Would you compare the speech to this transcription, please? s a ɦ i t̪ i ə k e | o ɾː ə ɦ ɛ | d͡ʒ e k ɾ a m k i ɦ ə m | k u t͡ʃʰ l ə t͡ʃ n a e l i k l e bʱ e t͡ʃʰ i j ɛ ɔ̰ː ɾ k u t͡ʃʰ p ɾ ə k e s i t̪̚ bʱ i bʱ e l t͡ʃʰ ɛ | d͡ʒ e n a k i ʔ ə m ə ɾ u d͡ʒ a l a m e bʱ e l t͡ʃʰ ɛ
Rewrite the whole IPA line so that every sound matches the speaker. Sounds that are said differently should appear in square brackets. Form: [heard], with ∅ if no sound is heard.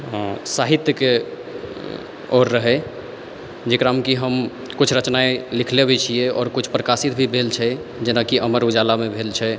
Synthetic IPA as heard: s a ɦ i t̪ [j] ə k e | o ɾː ə ɦ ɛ | d͡ʒ e k ɾ a m k i ɦ ə m | k u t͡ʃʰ [ɾ] ə t͡ʃ n a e l i [kʰ] l e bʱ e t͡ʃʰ i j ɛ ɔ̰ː ɾ k u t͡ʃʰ p ɾ ə k [a] s i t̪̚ bʱ i bʱ e l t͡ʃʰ ɛ | d͡ʒ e n a k i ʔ ə m ə ɾ u d͡ʒ a l a m e bʱ e l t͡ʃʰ ɛ